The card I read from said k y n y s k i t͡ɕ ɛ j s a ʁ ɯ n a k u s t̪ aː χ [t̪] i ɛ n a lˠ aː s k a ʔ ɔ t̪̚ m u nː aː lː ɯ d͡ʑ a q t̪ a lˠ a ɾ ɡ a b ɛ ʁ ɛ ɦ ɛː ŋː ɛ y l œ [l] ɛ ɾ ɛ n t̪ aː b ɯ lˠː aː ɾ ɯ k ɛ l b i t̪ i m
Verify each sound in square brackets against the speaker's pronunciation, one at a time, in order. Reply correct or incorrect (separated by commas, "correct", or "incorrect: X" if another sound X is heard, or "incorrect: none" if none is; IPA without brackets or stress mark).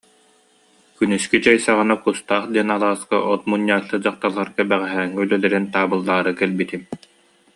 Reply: incorrect: d̪, correct